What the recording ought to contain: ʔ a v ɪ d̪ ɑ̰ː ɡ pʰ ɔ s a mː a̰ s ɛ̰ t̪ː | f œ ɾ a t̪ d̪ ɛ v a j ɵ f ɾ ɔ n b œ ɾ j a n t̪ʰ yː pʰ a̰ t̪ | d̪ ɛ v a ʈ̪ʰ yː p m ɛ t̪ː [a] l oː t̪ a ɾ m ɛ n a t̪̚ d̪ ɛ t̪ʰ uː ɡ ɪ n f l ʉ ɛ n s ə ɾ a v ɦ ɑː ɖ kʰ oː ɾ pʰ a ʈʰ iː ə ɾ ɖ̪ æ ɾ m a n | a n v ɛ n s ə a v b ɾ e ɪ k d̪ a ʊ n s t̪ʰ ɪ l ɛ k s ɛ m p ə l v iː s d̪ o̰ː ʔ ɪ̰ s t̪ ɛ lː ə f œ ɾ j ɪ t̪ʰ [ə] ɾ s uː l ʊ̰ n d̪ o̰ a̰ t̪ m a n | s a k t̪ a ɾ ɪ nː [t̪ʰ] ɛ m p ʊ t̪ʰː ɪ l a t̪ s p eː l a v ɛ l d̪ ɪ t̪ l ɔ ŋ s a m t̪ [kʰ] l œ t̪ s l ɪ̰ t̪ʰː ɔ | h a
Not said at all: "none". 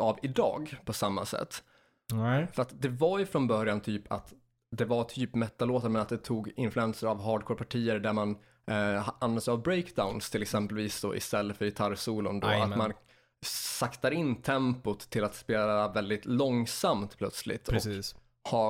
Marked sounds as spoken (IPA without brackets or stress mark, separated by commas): a, a, t̪ʰ, pʰ